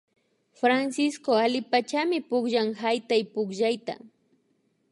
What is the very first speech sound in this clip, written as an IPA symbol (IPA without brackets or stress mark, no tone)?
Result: f